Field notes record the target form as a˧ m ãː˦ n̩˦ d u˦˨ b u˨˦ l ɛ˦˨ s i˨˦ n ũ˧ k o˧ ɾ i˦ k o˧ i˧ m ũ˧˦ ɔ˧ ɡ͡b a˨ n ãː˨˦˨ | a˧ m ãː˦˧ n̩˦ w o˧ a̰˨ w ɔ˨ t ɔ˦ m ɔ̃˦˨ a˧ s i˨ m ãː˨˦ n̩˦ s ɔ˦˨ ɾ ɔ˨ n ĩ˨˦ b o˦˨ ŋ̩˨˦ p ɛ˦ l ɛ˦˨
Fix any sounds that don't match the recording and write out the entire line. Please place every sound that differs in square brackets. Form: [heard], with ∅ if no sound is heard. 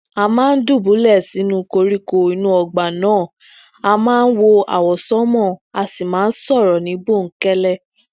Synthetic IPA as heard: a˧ m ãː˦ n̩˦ d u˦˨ b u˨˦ l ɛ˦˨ s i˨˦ n ũ˧ k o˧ ɾ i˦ k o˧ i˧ [n] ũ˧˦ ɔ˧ ɡ͡b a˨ n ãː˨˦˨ | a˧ m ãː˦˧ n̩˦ w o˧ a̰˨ w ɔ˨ [s] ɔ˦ m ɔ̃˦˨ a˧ s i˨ m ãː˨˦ n̩˦ s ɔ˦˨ ɾ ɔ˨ n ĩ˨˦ b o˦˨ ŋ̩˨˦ [k] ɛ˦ l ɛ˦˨